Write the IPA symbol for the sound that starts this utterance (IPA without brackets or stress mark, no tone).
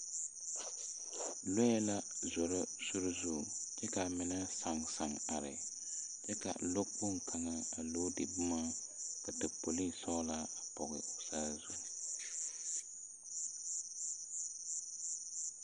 l